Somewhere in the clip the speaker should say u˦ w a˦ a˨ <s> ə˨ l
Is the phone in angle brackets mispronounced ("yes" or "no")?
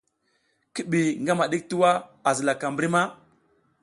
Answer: yes